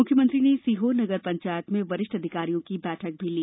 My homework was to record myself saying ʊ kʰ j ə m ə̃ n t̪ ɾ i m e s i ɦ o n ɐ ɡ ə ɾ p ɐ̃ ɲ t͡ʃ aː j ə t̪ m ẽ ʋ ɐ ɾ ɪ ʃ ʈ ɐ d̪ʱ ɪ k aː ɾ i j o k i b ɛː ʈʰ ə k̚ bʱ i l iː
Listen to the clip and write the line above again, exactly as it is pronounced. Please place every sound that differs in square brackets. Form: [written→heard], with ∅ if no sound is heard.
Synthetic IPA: ʊ kʰ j ə m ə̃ n t̪ ɾ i [m→n] e s i ɦ o n ɐ ɡ ə ɾ p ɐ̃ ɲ t͡ʃ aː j ə t̪ m ẽ ʋ ɐ ɾ ɪ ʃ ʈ ɐ d̪ʱ ɪ k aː ɾ i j [o→õ] k i b ɛː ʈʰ ə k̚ bʱ i l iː